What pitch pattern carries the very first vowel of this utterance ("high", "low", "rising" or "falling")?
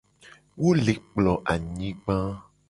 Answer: high